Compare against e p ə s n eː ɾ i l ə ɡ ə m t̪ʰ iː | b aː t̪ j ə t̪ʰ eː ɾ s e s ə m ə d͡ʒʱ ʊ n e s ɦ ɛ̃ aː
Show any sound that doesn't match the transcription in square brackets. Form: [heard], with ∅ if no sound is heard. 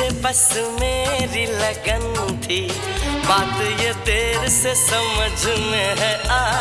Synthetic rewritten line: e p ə s [m] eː ɾ i l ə ɡ ə [n] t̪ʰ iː | b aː t̪ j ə [t̪] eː ɾ s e s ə m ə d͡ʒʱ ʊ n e [∅] ɦ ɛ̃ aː

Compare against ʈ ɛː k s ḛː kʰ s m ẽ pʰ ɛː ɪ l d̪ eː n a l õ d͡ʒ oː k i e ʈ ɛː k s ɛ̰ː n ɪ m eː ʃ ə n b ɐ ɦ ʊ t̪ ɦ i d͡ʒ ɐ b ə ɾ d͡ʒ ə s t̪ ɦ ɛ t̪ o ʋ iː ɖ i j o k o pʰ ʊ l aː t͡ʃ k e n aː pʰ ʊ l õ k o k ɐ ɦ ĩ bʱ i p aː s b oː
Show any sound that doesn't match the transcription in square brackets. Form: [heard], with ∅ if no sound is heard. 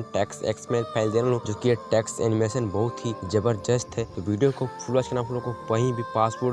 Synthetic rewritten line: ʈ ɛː k s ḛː [k] s m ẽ pʰ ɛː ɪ l d̪ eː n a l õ d͡ʒ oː k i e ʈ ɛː k s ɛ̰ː n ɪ m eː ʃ ə n b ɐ ɦ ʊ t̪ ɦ i d͡ʒ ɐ b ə ɾ d͡ʒ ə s t̪ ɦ ɛ t̪ o ʋ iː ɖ i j o k o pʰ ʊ l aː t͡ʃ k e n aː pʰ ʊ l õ k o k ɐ ɦ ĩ bʱ i p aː s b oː

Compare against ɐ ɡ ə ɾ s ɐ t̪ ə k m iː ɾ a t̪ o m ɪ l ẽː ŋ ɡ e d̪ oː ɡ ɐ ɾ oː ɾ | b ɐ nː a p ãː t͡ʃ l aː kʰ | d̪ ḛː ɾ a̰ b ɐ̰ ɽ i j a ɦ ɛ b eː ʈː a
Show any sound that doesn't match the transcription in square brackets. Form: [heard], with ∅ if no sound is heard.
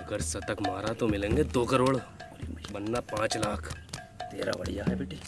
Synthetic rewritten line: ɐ ɡ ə ɾ s ɐ t̪ ə k m [aː] ɾ a t̪ o m ɪ l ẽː ŋ ɡ e d̪ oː [k] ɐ ɾ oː [ɽ] | b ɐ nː a p ãː t͡ʃ l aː kʰ | [t̪] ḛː ɾ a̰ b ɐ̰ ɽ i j a ɦ ɛ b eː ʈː [i]

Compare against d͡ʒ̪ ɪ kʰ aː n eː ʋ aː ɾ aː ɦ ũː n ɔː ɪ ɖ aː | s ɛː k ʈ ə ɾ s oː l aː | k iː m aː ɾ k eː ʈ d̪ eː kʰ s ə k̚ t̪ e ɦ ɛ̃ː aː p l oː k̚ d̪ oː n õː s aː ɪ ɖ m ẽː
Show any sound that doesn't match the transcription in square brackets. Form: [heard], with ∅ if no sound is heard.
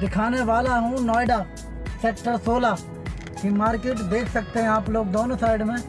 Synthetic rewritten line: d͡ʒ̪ ɪ kʰ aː n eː ʋ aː [l] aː ɦ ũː n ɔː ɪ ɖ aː | s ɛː k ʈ ə ɾ s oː l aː | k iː m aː ɾ k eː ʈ d̪ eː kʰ s ə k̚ t̪ e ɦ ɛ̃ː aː p l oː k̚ d̪ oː n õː s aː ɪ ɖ m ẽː

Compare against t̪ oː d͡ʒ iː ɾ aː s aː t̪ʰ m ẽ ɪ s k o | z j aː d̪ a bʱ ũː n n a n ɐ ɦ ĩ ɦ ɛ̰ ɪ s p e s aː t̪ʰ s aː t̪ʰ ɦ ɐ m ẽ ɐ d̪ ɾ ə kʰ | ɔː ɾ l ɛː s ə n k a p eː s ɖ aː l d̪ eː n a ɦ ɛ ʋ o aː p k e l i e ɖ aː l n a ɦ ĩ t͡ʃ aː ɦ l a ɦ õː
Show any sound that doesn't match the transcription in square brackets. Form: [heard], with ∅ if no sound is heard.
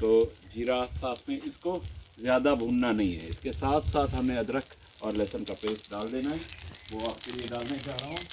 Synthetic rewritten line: t̪ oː d͡ʒ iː ɾ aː s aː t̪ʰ m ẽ ɪ s k o | z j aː d̪ a bʱ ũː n n a n ɐ ɦ ĩ ɦ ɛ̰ ɪ s [k] e s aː t̪ʰ s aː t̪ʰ ɦ ɐ m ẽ ɐ d̪ ɾ ə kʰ | ɔː ɾ l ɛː s ə n k a p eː s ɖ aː l d̪ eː n a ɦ ɛ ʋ o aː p k e l i e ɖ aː l n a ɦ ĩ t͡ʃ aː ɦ [ɾ] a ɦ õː

